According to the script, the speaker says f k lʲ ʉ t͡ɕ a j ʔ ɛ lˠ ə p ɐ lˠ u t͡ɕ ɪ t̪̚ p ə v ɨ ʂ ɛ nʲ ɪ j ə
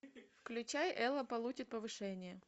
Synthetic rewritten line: f k lʲ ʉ t͡ɕ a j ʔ ɛ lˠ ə p ɐ lˠ u t͡ɕ ɪ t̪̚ p ə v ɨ ʂ ɛ nʲ ɪ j ə